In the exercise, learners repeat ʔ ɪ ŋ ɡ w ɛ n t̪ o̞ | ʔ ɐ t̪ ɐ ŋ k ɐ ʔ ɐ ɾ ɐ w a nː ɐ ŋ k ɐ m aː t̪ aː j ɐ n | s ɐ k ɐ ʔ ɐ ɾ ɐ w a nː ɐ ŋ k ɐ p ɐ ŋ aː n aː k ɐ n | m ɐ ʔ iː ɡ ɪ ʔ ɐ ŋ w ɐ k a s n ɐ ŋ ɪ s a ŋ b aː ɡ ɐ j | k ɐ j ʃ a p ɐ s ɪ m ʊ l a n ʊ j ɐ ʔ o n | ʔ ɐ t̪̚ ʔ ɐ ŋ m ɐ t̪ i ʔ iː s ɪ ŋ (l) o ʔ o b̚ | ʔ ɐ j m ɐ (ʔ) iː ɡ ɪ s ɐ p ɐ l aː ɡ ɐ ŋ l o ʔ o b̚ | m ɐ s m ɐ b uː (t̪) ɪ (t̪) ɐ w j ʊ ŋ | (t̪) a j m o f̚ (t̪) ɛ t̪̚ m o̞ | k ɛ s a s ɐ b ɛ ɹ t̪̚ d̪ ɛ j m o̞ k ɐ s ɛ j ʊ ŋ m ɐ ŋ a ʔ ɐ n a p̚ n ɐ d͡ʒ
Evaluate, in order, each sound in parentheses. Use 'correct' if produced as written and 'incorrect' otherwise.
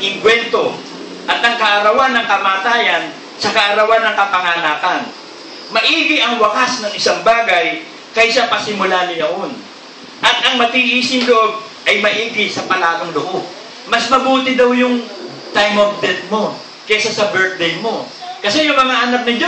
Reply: correct, correct, correct, incorrect, correct, incorrect

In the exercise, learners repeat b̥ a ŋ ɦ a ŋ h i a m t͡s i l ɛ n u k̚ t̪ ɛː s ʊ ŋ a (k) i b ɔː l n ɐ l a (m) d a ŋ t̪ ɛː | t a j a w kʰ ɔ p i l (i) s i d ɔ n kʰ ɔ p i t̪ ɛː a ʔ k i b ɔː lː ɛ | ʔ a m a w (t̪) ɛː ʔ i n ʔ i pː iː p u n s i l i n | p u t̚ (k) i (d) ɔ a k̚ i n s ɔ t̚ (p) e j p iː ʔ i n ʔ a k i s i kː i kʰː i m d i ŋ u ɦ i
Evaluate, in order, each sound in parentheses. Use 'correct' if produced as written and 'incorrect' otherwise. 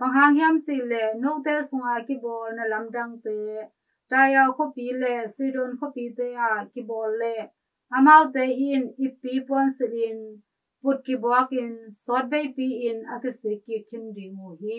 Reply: correct, correct, incorrect, correct, correct, incorrect, incorrect

